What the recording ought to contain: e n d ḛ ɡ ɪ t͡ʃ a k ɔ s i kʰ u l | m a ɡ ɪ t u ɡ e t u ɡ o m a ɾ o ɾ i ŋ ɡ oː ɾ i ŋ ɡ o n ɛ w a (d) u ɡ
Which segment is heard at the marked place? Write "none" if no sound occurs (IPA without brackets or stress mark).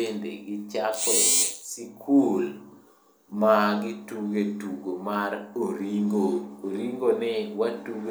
t